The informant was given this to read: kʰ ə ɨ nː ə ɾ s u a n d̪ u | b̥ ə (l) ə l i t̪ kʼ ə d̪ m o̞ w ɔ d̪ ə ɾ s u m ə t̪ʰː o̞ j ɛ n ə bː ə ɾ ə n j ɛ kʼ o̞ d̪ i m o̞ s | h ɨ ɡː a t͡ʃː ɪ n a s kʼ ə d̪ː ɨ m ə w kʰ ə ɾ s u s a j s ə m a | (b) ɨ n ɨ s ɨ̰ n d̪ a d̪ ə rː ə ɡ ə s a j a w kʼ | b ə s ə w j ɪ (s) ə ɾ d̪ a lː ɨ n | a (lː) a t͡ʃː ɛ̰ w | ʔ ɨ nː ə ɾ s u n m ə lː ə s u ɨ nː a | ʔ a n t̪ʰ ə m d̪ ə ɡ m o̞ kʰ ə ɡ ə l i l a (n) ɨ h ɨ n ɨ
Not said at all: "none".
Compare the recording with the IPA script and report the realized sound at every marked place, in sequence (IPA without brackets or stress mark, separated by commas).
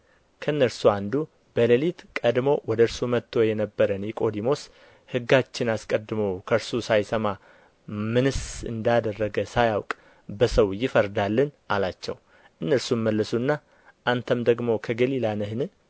l, m, f, l, n